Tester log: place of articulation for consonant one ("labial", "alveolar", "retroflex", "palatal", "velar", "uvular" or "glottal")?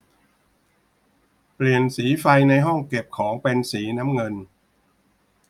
labial